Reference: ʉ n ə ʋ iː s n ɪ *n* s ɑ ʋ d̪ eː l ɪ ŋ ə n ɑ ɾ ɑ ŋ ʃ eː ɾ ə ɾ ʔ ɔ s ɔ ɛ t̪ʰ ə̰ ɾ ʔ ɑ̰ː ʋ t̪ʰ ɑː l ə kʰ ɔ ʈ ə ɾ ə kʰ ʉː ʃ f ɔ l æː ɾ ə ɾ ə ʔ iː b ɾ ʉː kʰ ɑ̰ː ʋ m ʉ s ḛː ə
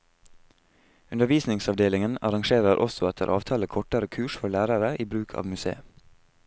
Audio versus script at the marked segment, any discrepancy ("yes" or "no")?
yes